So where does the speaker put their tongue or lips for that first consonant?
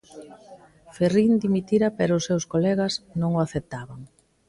lips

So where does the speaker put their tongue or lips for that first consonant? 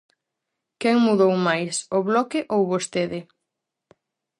velum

